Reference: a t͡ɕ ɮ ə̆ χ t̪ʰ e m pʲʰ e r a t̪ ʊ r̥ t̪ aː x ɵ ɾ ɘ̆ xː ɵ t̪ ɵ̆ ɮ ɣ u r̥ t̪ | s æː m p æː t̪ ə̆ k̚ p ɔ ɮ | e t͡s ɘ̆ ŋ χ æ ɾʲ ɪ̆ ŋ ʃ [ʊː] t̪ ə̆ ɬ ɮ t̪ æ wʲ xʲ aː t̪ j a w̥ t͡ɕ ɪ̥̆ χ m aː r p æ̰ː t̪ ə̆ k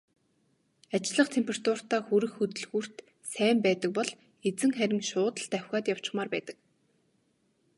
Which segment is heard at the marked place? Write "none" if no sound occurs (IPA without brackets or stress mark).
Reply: ʊː